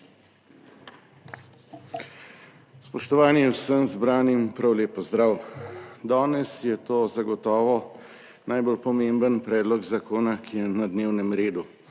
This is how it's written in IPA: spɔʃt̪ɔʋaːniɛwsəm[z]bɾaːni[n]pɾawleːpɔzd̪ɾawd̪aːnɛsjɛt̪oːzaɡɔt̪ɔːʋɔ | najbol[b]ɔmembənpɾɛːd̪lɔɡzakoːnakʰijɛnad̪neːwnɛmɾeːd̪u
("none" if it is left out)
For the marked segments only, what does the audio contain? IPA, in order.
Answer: z, m, p

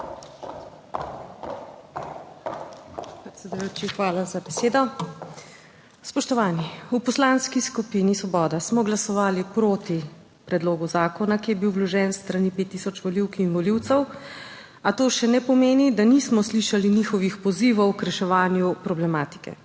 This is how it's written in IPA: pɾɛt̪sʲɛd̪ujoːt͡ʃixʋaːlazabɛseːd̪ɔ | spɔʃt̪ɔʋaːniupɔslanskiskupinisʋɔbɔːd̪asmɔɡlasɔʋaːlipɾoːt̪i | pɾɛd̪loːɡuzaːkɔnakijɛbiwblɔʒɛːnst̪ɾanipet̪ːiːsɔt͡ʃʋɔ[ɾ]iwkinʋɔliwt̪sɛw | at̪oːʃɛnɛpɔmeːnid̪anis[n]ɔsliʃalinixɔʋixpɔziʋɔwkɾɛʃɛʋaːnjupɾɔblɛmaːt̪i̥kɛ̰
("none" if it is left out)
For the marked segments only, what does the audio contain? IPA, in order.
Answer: l, m

